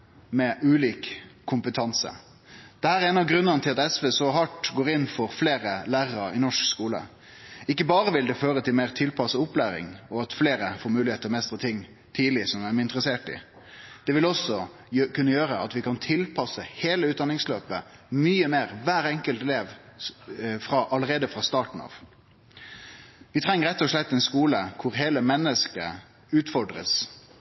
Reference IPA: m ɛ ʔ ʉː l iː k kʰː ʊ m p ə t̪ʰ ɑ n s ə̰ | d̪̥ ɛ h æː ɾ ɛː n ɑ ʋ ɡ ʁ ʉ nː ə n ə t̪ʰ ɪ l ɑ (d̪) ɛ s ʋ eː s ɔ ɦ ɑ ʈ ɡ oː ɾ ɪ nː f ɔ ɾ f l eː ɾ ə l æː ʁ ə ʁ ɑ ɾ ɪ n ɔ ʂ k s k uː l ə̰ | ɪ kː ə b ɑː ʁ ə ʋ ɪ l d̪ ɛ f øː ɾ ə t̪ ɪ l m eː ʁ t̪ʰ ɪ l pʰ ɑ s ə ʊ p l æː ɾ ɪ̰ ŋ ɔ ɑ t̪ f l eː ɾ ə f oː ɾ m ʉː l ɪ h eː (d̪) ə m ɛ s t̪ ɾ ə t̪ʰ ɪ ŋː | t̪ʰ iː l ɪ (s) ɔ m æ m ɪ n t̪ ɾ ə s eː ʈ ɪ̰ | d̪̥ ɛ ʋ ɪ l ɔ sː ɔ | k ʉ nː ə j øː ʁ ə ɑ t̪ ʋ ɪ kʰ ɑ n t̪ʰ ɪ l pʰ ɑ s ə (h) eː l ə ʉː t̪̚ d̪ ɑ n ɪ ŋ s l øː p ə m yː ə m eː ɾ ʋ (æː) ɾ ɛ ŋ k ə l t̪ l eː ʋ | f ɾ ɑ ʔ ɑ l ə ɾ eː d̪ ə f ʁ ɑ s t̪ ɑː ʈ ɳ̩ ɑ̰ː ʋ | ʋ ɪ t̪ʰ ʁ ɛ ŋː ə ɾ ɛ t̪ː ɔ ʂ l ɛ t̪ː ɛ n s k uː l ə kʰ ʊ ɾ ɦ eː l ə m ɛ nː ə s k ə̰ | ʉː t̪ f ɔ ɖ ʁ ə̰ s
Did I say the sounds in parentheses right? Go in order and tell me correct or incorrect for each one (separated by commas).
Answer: incorrect, incorrect, correct, correct, correct